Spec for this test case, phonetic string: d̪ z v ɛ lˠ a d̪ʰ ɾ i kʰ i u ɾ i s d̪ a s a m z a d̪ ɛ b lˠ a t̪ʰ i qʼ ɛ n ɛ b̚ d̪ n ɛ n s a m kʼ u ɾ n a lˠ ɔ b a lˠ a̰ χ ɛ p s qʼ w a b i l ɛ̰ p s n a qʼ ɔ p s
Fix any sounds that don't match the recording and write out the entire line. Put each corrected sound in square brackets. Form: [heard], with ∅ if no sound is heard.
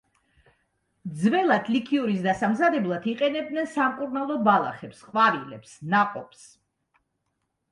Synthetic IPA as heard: d̪ z v ɛ lˠ a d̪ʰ [l] i kʰ i u ɾ i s d̪ a s a m z a d̪ ɛ b lˠ a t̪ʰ i qʼ ɛ n ɛ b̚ d̪ n ɛ n s a m kʼ u ɾ n a lˠ ɔ b a lˠ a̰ χ ɛ p s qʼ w a [v] i l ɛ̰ p s n a qʼ ɔ p s